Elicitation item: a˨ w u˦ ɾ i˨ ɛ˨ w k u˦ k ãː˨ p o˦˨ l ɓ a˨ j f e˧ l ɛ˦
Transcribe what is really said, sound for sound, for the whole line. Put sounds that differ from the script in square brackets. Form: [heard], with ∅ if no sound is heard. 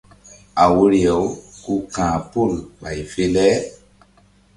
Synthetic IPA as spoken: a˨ w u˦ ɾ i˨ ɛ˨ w k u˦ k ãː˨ p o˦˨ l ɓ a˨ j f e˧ l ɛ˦